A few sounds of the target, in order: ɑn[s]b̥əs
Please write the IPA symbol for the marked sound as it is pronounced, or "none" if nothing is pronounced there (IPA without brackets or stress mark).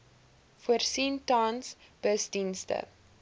s